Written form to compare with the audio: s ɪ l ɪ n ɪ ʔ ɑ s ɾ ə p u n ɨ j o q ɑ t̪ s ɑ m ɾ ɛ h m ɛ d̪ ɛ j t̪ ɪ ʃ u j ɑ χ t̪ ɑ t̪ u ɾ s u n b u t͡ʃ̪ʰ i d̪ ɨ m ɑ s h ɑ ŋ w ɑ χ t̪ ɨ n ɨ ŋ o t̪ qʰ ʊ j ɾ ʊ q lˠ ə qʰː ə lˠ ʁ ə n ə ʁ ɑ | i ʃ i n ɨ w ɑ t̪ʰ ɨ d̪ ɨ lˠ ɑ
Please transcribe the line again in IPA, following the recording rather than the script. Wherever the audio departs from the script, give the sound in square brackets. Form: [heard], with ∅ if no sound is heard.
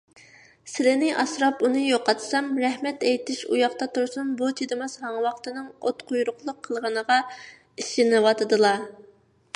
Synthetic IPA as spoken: s ɪ l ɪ n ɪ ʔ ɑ s ɾ [ɑ] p u n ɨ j o q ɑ t̪ s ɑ m ɾ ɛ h m ɛ [t̪] ɛ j t̪ ɪ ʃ u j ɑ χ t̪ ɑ t̪ u ɾ s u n b u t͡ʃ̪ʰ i d̪ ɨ m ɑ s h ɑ ŋ w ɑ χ t̪ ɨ n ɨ ŋ o t̪ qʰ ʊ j ɾ ʊ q lˠ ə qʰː ə lˠ ʁ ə n ə ʁ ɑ | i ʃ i n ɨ w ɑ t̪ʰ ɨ d̪ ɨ lˠ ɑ

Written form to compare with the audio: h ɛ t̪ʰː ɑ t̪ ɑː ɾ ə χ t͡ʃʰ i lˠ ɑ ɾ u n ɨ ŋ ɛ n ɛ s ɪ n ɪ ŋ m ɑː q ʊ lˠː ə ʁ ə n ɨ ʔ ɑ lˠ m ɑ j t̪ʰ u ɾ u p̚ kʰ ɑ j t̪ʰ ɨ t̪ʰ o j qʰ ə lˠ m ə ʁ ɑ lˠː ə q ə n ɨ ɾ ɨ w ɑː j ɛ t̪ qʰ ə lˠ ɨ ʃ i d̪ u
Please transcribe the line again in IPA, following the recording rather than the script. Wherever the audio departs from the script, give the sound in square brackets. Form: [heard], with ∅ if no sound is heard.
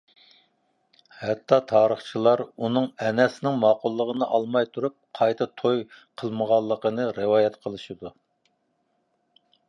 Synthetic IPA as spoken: h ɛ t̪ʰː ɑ [t̪ʰ] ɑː ɾ ə χ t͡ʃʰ i lˠ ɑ ɾ u n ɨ ŋ ɛ n ɛ s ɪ n ɪ ŋ m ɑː q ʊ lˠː ə ʁ ə n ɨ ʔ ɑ lˠ m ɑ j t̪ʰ u ɾ u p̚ [qʰ] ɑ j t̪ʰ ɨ t̪ʰ o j qʰ ə lˠ m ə ʁ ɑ lˠː ə q ə n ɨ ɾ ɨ w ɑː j ɛ t̪ qʰ ə lˠ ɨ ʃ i d̪ u

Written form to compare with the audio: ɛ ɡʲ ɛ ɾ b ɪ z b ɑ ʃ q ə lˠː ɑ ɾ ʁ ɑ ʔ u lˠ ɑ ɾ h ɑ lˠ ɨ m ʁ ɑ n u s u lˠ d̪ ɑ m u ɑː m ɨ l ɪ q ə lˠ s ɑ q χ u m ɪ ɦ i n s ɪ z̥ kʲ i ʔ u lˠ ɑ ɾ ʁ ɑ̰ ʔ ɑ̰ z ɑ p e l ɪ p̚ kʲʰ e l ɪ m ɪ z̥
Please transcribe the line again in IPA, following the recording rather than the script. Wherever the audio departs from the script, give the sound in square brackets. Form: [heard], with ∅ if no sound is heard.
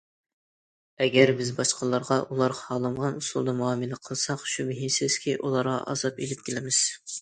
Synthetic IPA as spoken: ɛ ɡʲ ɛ ɾ b ɪ z b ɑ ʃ q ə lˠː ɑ ɾ ʁ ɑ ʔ u lˠ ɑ ɾ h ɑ lˠ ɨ m ʁ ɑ n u s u lˠ d̪ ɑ m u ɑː m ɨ l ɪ [qʰ] ə lˠ s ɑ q [ʃ] u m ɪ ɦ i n s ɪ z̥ kʲ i ʔ u lˠ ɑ ɾ ʁ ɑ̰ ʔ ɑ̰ z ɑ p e l ɪ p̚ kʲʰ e l ɪ m ɪ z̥

